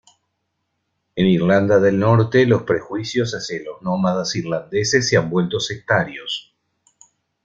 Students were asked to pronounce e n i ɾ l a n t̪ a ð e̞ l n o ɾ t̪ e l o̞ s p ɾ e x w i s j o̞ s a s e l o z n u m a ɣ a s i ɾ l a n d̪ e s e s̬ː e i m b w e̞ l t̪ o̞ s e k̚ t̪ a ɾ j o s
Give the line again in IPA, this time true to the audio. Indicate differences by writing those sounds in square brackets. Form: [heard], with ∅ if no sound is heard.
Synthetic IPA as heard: e n i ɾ l a n [d̪] a ð e̞ l n o ɾ t̪ e l o̞ s p ɾ e x w i s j o̞ s a s e l o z n [o] m a [ð] a s i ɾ l a n d̪ e s e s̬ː e [a] m b w e̞ l t̪ o̞ s e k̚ t̪ a ɾ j o s